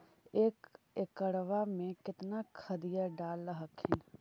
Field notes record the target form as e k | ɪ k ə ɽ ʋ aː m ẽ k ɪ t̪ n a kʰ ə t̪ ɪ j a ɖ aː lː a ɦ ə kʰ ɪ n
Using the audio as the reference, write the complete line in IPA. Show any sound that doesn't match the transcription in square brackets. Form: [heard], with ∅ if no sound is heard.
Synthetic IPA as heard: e k | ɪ k ə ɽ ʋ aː m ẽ k ɪ t̪ n a kʰ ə [d̪] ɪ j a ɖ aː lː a ɦ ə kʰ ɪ n